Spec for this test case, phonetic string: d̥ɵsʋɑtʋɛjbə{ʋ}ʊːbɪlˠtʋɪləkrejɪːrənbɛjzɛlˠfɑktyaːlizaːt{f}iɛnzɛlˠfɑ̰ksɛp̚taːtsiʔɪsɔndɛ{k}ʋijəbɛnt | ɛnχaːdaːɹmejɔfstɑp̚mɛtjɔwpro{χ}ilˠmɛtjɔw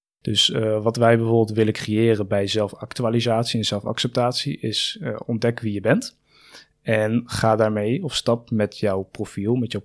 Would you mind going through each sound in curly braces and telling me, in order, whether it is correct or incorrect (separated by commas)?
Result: incorrect, incorrect, correct, incorrect